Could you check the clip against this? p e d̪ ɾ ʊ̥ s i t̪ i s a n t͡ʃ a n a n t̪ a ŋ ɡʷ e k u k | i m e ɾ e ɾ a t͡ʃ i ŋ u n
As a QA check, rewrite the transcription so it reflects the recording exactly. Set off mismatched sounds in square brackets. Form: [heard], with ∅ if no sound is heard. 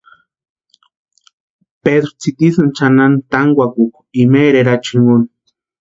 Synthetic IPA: p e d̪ ɾ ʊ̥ [t͡s] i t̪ i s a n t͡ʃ a n a n t̪ a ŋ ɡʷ [a] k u k | i m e ɾ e ɾ a t͡ʃ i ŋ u n